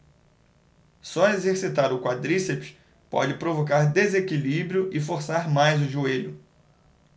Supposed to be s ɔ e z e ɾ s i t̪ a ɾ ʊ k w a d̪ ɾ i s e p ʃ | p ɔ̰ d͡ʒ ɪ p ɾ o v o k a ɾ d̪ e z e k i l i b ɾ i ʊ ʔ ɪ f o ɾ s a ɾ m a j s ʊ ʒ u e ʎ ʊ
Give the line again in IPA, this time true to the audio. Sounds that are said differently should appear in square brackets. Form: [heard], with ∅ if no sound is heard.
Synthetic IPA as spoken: s ɔ e z e ɾ s i t̪ a ɾ ʊ k w a d̪ ɾ i s e p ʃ | p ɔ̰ d͡ʒ ɪ p ɾ o v o k a ɾ d̪ e z e k i l i b ɾ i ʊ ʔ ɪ f o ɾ s a ɾ m a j [z] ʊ ʒ u e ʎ ʊ